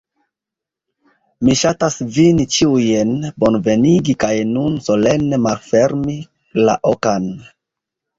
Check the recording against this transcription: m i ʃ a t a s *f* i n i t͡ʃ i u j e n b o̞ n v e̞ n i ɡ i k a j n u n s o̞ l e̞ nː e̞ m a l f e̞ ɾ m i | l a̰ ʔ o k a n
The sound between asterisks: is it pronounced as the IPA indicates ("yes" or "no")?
no